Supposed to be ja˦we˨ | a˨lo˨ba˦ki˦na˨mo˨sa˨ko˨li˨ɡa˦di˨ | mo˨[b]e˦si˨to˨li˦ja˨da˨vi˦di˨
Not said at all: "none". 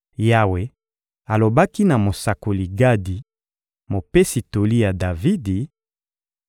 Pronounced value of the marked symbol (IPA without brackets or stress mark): p